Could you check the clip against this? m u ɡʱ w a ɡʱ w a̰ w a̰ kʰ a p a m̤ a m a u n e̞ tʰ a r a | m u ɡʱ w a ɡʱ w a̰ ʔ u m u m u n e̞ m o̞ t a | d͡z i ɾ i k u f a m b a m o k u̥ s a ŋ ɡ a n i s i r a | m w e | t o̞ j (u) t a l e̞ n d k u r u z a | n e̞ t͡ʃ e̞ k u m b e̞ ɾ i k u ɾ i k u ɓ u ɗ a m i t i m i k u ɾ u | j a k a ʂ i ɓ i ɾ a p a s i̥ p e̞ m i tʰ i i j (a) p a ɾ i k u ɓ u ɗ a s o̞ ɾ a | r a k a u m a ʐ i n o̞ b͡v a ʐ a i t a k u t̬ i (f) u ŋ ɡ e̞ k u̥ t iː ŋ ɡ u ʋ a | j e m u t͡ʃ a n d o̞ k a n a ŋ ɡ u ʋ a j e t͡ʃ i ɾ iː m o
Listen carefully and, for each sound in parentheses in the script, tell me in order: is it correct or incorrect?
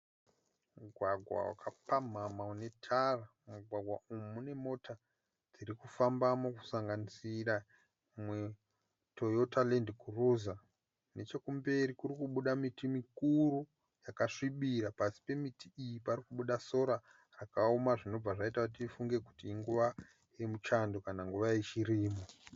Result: incorrect, incorrect, correct

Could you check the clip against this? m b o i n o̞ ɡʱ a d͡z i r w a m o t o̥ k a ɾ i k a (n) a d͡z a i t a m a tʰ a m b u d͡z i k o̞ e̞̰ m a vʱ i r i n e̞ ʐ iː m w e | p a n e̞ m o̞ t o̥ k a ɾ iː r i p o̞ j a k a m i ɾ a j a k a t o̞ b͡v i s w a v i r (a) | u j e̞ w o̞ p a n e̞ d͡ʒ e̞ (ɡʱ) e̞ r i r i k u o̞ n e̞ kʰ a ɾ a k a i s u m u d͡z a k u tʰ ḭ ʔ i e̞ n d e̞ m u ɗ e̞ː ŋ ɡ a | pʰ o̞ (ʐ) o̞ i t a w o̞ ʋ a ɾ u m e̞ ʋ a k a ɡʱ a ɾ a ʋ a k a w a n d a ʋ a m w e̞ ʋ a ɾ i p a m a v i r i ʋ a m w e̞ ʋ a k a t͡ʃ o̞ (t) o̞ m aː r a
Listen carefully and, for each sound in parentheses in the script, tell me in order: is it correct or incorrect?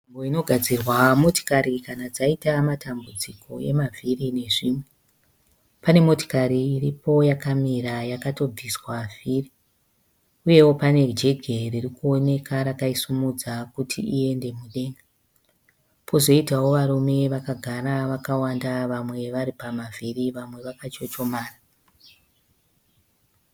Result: correct, incorrect, correct, incorrect, incorrect

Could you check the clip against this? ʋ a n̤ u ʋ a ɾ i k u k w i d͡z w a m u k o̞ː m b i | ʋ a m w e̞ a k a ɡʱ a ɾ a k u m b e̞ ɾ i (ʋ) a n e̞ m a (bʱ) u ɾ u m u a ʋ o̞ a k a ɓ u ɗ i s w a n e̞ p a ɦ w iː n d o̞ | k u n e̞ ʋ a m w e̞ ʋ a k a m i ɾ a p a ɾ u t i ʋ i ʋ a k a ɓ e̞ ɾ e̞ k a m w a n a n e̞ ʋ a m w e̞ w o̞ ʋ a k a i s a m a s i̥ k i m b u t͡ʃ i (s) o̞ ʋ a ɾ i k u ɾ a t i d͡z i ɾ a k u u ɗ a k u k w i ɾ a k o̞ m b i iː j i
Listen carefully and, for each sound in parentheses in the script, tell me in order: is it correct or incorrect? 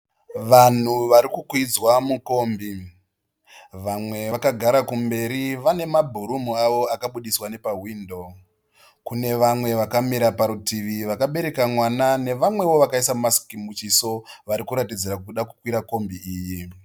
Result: correct, correct, correct

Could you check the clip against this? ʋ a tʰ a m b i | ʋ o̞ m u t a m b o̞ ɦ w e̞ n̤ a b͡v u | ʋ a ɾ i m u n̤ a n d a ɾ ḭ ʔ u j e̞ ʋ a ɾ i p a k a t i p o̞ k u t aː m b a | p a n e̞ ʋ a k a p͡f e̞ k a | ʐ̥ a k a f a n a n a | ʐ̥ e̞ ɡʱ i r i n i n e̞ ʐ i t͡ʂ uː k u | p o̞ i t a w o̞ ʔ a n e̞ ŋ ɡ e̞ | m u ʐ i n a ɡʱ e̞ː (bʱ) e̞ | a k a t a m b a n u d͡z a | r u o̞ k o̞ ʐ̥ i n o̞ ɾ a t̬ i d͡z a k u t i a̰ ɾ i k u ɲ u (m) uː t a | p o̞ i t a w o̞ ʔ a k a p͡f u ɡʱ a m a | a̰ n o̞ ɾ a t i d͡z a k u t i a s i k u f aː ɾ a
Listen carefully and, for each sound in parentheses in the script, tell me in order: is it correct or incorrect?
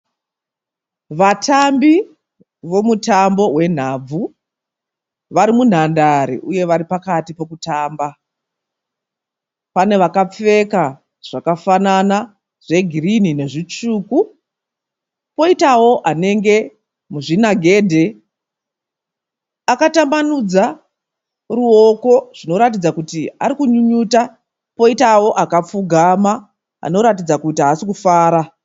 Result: incorrect, incorrect

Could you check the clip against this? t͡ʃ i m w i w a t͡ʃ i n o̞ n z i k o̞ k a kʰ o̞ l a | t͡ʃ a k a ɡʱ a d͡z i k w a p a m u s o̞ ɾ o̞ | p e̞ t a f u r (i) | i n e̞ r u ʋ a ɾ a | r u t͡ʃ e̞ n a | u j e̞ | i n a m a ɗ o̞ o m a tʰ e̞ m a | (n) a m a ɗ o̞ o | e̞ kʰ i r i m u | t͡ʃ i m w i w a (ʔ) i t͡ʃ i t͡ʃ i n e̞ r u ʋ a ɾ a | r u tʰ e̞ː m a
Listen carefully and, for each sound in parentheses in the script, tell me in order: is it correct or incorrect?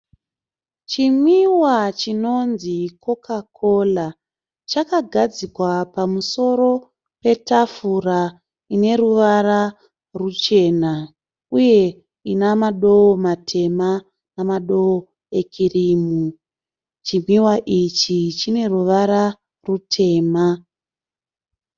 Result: incorrect, correct, correct

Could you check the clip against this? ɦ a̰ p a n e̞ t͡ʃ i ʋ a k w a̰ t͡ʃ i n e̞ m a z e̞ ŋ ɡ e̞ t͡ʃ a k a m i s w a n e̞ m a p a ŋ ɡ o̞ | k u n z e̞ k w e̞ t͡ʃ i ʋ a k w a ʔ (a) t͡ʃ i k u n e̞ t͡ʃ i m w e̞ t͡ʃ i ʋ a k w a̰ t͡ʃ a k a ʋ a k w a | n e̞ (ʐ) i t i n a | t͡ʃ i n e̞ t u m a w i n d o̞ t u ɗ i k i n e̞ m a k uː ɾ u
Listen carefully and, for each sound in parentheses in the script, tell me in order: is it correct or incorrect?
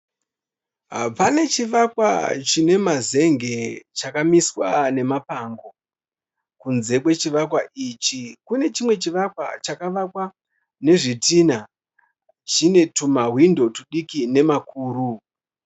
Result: incorrect, correct

